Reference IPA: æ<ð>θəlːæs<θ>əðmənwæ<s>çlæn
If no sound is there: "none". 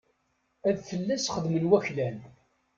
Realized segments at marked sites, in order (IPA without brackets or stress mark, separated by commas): ð, χ, none